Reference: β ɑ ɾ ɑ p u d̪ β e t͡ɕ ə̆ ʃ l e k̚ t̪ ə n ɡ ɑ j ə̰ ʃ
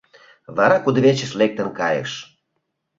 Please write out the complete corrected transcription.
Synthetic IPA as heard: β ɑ ɾ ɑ k u d̪ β e t͡ɕ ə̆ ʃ l e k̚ t̪ ə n k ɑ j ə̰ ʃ